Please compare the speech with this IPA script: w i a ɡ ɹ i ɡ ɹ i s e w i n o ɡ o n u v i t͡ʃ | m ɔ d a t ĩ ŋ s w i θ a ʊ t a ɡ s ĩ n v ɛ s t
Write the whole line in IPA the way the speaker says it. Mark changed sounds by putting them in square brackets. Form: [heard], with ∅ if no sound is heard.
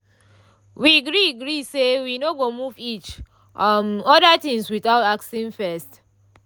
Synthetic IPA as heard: w i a ɡ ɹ i ɡ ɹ i s e w i n o ɡ o [m] u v i t͡ʃ | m ɔ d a t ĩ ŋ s w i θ a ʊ t a [k] s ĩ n [f] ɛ s t